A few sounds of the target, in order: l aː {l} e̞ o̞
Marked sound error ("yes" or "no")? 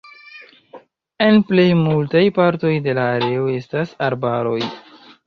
yes